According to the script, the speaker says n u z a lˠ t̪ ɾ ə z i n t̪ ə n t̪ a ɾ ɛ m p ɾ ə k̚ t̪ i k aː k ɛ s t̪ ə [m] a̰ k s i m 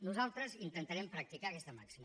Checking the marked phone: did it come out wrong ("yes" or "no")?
no